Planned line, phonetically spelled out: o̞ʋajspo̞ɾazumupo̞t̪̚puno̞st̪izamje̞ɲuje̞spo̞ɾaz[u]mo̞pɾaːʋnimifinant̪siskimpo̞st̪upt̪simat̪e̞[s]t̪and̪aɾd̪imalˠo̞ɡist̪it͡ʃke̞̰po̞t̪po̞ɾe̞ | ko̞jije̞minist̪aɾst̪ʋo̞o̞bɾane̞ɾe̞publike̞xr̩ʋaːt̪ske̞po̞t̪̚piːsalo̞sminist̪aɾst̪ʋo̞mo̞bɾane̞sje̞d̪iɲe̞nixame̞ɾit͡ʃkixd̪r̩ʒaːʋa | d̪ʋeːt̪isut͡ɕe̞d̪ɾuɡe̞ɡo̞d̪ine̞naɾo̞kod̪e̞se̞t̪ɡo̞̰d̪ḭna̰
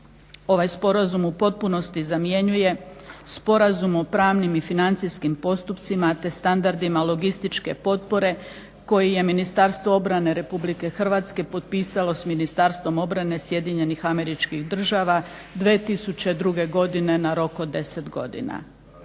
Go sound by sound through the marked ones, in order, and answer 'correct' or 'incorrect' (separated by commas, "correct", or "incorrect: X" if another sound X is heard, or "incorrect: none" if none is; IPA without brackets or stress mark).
correct, correct